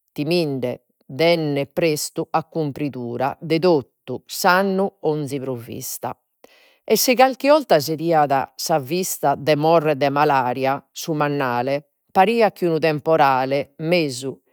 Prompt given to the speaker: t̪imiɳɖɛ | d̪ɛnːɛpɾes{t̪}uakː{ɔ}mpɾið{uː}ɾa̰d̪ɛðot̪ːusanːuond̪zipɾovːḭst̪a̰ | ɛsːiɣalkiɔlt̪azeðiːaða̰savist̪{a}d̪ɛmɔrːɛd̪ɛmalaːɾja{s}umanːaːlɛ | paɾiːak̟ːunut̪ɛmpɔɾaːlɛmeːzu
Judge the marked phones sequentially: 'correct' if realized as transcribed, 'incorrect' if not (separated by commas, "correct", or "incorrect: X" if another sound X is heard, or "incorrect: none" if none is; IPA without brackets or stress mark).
correct, incorrect: u, correct, correct, correct